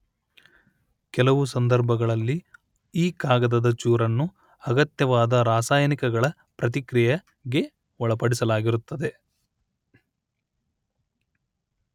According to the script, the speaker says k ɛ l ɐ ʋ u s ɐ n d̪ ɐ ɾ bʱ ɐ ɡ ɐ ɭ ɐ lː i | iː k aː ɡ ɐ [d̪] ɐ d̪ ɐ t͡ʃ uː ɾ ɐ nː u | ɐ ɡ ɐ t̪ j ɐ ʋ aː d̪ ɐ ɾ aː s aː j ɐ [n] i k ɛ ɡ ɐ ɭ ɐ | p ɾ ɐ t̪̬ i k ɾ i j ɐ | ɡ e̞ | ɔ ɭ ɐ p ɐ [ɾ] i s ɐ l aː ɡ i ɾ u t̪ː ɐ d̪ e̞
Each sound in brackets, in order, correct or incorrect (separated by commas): correct, correct, incorrect